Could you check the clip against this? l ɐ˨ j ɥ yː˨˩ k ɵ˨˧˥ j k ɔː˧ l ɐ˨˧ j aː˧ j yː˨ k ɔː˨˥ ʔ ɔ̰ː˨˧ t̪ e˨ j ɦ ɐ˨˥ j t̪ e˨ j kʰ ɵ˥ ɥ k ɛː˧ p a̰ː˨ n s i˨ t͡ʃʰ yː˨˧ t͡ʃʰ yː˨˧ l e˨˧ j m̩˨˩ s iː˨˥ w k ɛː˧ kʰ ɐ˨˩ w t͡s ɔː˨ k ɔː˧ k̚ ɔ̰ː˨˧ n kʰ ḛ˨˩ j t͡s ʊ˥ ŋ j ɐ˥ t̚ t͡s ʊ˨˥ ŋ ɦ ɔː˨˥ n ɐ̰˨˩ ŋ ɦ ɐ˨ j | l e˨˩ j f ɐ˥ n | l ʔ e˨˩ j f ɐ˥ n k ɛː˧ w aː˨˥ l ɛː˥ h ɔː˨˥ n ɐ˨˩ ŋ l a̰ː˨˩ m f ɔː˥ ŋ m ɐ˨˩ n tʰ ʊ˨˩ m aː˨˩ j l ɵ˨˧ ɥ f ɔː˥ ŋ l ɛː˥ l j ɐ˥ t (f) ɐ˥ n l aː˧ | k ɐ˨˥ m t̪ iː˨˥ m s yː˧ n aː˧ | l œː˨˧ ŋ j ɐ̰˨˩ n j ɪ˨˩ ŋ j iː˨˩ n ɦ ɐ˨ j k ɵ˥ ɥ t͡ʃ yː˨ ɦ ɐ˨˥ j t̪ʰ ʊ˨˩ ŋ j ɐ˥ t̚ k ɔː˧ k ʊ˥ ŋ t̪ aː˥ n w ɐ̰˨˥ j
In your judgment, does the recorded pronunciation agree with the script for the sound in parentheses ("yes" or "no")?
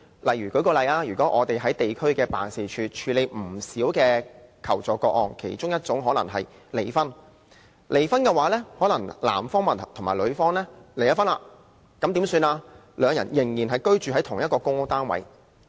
yes